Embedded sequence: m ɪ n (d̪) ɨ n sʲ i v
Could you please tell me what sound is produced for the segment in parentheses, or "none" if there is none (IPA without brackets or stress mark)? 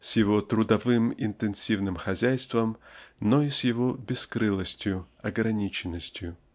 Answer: t̪